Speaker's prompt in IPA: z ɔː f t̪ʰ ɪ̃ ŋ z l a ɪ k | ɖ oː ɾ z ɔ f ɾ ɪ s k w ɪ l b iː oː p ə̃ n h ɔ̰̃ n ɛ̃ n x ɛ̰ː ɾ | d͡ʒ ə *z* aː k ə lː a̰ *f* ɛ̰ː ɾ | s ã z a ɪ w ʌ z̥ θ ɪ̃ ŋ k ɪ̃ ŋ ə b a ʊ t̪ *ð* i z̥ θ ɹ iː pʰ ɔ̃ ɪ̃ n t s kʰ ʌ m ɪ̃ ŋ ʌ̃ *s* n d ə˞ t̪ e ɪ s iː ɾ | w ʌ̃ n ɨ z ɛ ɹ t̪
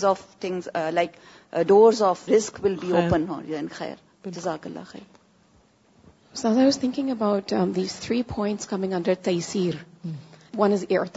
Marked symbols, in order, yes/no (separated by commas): yes, no, yes, no